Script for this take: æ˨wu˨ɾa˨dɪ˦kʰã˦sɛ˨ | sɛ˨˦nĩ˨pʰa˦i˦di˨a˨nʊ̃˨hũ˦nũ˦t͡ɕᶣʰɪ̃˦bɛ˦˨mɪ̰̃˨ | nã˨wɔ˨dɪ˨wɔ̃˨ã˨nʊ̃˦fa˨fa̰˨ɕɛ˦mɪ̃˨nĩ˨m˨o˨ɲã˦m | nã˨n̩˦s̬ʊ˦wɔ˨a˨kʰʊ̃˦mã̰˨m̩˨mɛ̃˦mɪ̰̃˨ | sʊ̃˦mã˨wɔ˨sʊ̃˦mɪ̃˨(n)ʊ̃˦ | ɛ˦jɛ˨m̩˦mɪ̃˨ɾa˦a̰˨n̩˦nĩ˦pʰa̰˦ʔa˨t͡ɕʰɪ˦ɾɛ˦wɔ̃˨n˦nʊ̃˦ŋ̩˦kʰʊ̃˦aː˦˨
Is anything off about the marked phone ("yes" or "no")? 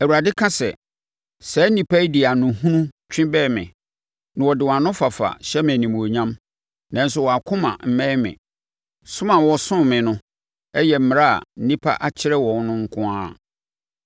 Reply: no